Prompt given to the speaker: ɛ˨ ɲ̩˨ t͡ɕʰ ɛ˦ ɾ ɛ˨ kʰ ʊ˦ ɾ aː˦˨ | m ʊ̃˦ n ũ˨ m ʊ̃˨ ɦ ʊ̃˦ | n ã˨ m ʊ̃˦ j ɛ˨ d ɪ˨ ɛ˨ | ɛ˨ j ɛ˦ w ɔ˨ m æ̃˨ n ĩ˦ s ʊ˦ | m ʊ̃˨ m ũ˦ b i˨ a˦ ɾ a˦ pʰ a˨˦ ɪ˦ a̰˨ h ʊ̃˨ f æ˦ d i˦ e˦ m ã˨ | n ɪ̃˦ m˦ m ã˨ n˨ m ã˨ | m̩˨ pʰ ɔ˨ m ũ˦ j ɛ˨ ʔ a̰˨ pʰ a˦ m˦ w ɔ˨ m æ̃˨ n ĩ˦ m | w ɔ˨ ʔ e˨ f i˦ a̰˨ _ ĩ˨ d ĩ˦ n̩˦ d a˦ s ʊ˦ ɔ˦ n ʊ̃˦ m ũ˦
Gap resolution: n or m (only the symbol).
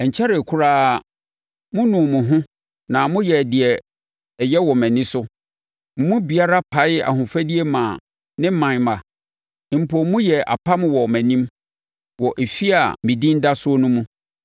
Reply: m